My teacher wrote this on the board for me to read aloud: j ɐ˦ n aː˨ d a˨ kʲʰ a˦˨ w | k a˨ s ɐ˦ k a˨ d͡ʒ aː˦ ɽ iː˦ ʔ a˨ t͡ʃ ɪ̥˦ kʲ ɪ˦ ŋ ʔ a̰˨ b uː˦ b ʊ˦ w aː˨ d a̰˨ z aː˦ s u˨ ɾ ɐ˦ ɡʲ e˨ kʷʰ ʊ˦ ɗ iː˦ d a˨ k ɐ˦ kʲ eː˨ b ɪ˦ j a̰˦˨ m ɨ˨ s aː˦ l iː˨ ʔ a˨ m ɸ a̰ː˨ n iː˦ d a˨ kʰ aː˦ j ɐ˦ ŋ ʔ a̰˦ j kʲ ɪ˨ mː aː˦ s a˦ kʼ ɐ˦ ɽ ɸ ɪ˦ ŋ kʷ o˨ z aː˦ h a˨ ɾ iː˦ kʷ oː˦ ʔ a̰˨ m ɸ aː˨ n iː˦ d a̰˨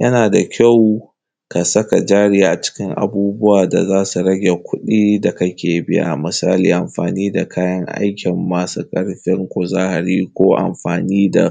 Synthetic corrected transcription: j ɐ˦ n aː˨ d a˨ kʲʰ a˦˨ w | k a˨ s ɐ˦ k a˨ d͡ʒ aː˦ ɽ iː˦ ʔ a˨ t͡ʃ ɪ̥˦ kʲ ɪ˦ ŋ ʔ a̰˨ b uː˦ b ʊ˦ w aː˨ d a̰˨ z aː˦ s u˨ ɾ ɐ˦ ɡʲ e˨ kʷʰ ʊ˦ ɗ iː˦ d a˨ k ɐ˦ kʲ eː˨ b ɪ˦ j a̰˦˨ m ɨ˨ s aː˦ l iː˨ ʔ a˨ m ɸ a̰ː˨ n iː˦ d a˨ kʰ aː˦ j ɐ˦ ŋ ʔ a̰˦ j kʲ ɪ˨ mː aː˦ s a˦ kʼ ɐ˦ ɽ ɸ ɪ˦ ŋ kʷ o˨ z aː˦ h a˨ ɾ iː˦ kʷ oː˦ ʔ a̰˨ m ɸ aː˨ n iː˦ d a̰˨